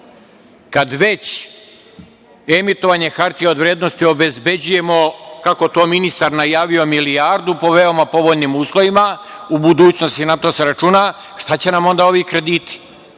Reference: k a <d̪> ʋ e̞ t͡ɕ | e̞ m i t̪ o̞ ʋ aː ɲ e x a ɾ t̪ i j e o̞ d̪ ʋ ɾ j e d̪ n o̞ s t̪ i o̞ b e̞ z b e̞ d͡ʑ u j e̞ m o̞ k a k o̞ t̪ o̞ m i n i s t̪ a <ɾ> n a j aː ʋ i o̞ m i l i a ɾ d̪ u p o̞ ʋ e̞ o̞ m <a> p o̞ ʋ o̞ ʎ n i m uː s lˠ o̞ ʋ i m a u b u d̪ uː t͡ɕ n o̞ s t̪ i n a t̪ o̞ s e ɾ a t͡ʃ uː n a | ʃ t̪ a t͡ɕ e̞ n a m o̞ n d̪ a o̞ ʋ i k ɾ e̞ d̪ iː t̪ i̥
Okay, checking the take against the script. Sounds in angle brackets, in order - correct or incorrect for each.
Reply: correct, correct, correct

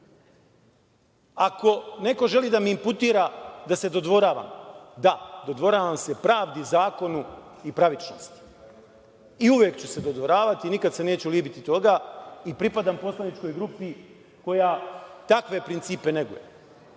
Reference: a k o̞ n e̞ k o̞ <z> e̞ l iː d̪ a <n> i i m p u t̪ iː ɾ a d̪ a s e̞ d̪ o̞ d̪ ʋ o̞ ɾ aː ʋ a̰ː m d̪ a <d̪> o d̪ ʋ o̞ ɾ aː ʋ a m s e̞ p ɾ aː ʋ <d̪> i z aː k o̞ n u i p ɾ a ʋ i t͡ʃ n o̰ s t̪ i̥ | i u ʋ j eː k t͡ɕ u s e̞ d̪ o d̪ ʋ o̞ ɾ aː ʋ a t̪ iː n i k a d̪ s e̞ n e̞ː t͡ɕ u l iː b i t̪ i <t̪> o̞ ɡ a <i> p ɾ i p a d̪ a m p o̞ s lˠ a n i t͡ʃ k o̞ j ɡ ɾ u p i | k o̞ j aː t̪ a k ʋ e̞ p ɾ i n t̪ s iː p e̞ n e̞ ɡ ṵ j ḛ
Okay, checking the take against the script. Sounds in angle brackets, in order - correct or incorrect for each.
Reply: incorrect, incorrect, correct, correct, correct, correct

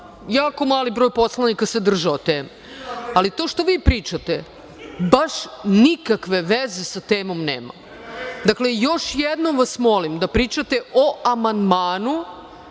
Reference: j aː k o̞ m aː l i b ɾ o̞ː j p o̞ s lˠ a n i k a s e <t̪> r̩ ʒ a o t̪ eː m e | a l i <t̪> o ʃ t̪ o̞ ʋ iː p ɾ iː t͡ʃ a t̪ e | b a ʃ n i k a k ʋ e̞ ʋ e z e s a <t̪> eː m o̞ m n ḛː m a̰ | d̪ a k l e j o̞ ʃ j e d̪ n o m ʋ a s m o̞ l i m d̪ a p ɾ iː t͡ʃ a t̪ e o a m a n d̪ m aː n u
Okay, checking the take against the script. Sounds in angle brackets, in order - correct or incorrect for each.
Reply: incorrect, correct, correct

